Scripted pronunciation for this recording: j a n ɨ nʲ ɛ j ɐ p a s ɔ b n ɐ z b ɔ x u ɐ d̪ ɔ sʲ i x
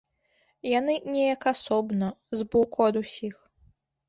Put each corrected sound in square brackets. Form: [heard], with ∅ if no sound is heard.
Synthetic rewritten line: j a n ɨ nʲ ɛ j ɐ [k] a s ɔ b n ɐ z b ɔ [k] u ɐ d̪ [u] sʲ i x